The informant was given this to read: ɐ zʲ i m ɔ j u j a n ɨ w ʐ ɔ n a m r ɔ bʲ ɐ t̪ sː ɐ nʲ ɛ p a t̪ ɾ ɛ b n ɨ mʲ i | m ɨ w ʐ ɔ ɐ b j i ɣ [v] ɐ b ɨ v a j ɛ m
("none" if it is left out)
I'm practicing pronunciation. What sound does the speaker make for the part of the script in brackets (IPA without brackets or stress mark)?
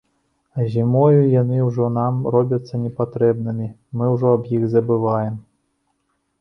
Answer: z